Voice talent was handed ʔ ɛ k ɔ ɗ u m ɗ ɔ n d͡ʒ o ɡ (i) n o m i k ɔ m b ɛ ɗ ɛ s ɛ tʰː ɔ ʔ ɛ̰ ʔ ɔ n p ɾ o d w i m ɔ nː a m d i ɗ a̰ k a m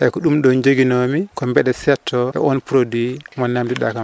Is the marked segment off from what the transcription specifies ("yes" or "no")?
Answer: no